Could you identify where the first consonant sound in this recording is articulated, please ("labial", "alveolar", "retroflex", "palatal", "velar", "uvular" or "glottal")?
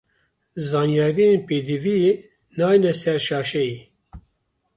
alveolar